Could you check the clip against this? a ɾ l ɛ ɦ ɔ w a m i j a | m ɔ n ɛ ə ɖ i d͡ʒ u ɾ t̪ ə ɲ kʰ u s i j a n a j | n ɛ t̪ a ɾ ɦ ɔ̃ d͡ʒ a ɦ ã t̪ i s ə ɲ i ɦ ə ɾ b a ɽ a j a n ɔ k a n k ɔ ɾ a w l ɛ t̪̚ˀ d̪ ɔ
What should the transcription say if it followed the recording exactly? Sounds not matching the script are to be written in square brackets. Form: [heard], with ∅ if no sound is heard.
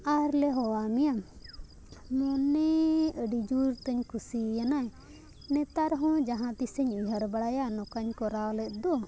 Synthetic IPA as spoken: a ɾ l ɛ ɦ ɔ w a m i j a | m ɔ n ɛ ə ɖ i d͡ʒ u ɾ t̪ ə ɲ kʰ u s i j a n a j | n ɛ t̪ a ɾ ɦ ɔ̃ d͡ʒ a ɦ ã t̪ i s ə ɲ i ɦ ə ɾ b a ɽ a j a n ɔ k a [ɲ] k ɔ ɾ a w l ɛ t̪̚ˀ d̪ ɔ